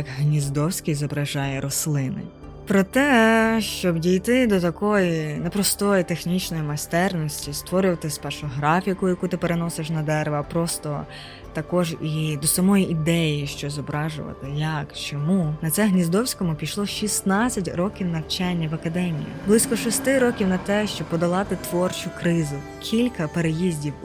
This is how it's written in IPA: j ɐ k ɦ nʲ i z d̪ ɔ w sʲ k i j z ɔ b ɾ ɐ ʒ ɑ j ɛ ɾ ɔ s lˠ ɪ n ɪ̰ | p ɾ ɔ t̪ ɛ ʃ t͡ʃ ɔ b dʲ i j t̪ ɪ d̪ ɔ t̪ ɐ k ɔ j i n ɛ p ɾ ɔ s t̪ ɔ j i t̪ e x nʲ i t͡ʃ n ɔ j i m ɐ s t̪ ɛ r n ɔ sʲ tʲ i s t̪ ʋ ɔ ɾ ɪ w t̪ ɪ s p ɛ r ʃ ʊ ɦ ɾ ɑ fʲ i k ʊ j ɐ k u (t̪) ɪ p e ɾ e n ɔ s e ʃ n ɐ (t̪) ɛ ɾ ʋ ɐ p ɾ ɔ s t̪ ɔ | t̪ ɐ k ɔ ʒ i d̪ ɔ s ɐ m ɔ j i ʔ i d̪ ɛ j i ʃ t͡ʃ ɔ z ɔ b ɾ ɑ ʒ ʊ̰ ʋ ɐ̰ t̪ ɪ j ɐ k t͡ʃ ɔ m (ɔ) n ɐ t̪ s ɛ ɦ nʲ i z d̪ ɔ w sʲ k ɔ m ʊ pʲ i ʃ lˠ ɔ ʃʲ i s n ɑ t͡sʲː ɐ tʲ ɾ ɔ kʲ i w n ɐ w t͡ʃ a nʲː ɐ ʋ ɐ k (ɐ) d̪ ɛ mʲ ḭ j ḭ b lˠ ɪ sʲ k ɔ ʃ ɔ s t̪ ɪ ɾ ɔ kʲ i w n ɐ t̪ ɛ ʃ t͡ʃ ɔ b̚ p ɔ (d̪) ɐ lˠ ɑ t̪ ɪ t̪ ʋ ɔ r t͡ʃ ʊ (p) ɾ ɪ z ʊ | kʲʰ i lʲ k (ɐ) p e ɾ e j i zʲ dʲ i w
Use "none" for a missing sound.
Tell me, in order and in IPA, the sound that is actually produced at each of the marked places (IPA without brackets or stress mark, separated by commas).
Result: t̪, d̪, u, ɐ, d̪, k, ɐ